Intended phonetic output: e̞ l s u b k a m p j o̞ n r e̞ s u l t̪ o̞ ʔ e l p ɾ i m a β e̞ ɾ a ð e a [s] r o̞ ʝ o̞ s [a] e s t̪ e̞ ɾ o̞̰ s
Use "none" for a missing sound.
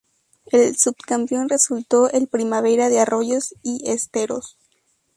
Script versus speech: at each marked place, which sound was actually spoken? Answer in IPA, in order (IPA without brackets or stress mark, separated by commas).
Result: none, i